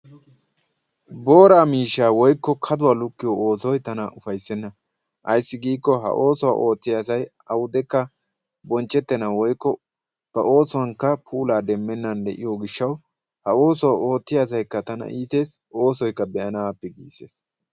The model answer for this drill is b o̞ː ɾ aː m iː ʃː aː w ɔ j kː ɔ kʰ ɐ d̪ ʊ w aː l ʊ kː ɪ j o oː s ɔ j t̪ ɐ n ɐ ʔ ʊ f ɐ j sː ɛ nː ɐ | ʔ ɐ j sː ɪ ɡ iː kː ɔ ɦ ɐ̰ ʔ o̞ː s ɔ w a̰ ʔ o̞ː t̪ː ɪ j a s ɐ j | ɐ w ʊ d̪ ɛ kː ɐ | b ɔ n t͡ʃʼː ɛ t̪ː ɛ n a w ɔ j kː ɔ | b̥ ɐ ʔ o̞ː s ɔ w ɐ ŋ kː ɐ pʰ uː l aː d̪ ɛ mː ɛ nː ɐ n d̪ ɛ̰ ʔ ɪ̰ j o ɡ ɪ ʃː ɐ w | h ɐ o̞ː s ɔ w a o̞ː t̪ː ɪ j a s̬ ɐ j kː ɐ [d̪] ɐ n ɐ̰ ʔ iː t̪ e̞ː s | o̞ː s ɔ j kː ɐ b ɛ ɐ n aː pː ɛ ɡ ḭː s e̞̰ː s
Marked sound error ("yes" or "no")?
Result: yes